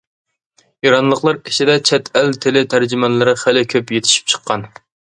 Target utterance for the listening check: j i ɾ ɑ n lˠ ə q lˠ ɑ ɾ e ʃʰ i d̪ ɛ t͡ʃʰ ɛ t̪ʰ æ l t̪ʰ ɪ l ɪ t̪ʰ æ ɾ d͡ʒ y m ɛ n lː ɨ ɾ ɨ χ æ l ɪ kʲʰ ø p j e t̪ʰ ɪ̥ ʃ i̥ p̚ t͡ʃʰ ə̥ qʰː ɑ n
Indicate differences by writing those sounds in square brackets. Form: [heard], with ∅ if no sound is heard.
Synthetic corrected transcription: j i ɾ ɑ n lˠ ə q lˠ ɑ ɾ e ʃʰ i d̪ ɛ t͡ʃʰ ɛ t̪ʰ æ l t̪ʰ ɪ l ɪ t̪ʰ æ ɾ d͡ʒ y m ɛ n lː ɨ ɾ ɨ χ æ l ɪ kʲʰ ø p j e t̪ʰ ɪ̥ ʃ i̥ p̚ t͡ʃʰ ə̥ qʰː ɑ n